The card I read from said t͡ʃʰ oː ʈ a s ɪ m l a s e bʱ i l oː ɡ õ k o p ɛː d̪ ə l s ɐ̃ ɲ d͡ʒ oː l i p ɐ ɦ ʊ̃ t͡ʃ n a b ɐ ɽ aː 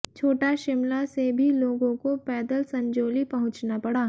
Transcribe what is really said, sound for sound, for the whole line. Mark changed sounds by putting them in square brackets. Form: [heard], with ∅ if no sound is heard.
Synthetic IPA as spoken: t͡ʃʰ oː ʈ a [ʃ] ɪ m l a s e bʱ i l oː ɡ õ k o p ɛː d̪ ə l s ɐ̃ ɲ d͡ʒ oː l i p ɐ ɦ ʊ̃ t͡ʃ n a [p] ɐ ɽ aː